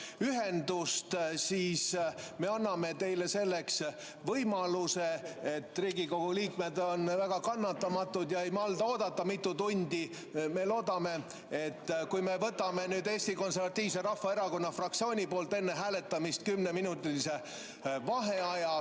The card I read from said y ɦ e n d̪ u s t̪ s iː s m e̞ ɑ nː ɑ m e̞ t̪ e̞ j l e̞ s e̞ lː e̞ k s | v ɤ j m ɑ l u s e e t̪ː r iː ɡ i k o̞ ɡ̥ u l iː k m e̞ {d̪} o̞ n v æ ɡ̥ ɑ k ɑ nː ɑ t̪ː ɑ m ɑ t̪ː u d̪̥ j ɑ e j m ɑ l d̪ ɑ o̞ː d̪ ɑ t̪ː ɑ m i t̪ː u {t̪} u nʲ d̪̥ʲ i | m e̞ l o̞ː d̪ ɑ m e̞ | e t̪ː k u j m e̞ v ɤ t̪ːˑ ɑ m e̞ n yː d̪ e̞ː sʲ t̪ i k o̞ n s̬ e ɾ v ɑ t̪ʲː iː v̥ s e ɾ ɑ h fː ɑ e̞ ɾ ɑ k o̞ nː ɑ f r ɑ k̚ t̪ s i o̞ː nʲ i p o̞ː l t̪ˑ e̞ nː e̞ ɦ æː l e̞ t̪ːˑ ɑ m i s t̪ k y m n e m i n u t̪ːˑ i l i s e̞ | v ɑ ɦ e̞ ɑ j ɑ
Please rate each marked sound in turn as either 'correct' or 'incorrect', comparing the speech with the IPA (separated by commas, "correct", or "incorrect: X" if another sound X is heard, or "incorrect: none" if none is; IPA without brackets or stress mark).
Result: correct, correct